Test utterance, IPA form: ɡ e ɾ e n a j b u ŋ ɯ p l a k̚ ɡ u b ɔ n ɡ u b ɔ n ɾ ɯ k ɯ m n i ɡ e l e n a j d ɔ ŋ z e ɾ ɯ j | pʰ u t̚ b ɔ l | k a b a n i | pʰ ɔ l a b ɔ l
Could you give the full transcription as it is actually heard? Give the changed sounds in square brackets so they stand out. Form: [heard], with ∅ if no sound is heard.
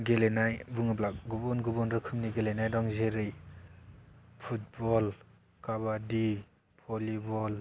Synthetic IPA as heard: ɡ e [l] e n a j b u ŋ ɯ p l a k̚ ɡ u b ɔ n ɡ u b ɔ n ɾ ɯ [kʰ] ɯ m n i ɡ e l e n a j d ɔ ŋ z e ɾ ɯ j | pʰ u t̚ b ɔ l | k a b a [d] i | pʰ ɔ l [i] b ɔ l